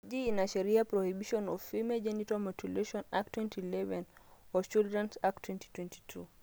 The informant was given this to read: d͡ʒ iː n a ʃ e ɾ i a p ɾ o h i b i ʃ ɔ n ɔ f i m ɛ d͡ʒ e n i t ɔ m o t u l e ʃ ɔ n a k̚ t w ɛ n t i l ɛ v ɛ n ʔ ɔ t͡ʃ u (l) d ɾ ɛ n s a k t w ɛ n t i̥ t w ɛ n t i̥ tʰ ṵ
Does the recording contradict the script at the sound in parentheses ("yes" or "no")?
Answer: no